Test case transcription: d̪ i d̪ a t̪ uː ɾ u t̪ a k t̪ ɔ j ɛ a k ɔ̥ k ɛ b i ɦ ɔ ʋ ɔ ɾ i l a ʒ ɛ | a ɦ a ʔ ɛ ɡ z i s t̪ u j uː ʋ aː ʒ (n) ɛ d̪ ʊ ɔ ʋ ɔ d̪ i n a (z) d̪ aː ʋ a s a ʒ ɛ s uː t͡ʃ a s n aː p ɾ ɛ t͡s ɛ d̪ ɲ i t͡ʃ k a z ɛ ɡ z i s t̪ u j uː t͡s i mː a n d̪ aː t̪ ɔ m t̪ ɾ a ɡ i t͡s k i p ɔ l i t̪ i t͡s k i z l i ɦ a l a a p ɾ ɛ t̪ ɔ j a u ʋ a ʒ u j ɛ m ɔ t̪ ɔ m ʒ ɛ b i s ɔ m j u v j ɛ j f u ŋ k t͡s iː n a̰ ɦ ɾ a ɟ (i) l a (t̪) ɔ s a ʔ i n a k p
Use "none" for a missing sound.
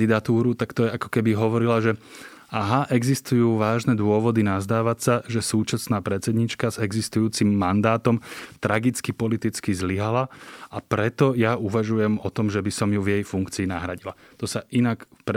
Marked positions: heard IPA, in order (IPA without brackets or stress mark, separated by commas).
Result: n, z, i, t̪